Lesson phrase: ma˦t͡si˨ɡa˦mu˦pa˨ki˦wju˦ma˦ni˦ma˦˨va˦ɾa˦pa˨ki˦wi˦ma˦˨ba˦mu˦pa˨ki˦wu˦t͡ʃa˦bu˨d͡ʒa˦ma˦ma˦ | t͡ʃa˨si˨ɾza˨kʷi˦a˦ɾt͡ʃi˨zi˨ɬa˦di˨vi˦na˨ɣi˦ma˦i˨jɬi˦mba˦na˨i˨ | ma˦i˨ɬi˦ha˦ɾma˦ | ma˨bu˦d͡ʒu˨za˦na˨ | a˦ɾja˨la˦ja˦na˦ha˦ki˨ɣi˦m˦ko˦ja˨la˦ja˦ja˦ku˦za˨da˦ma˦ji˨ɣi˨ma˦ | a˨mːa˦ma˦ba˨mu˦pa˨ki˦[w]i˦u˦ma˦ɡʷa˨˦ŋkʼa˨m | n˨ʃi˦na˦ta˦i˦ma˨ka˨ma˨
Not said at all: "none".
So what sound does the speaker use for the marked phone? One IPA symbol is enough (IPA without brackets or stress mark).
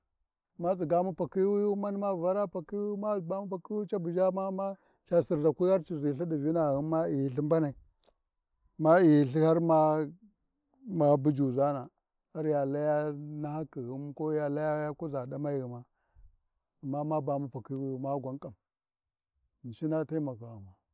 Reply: w